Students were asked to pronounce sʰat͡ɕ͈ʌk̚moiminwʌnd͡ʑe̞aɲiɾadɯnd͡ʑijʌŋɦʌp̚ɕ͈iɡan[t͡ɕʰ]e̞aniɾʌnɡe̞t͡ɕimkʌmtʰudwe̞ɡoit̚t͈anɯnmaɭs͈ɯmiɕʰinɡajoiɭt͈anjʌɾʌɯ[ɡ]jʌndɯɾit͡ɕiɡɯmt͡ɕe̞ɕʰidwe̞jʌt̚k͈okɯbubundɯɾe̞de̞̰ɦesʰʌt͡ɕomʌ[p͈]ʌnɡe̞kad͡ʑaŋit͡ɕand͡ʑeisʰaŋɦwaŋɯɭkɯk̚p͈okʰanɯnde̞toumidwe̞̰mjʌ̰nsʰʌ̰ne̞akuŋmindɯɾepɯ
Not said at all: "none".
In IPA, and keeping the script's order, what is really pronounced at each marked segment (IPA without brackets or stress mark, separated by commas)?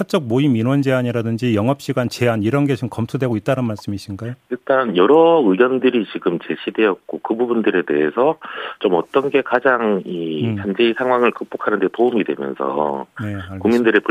t͡ɕ, ɡ, t͈